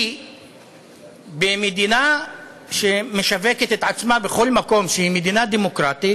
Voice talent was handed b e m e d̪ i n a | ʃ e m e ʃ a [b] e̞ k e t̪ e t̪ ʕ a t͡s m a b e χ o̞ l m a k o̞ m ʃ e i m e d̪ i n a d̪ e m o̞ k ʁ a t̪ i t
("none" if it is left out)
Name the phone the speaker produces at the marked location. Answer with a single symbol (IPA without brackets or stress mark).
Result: v